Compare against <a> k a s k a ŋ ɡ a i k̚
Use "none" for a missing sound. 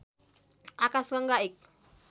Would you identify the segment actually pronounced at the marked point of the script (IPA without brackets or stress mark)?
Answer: a